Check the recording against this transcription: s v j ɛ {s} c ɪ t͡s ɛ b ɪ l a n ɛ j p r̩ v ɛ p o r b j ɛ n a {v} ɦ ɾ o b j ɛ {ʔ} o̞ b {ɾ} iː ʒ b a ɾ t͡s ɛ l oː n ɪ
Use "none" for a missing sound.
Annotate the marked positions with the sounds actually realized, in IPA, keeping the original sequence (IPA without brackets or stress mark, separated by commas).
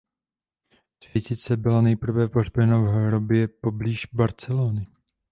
none, v, p, l